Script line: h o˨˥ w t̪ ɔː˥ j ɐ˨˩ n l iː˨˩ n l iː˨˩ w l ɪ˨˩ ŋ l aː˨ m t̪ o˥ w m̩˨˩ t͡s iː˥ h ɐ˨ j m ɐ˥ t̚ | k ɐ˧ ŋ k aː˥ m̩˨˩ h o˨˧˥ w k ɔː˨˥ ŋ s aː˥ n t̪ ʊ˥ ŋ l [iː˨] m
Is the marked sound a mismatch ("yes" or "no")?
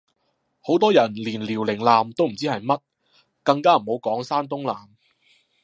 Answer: yes